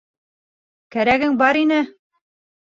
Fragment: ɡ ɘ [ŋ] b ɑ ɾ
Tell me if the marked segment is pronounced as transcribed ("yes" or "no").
yes